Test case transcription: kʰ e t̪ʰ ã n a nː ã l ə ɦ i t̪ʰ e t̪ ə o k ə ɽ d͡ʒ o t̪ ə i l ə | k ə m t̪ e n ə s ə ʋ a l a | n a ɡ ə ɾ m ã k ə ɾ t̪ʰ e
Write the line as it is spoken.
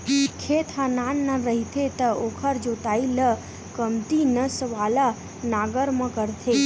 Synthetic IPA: kʰ e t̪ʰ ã n a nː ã ɾ ə ɦ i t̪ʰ e t̪ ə o kʰ ə ɾ d͡ʒ o t̪ a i l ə | k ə m t̪ i n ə s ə ʋ a l a | n a ɡ ə ɾ m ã k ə ɾ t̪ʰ e